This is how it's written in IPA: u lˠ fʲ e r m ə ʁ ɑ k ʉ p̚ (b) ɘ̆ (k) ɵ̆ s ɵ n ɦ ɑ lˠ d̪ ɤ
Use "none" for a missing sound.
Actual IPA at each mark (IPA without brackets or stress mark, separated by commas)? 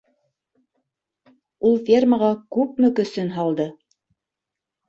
m, k